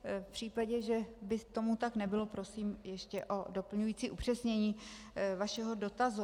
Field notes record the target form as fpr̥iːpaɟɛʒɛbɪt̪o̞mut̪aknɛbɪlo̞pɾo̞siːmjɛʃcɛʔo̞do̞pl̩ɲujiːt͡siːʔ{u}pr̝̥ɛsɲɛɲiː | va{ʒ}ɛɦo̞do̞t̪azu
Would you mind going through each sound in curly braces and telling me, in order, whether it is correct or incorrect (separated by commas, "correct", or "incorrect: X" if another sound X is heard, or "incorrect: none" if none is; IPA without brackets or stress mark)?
correct, incorrect: ʃ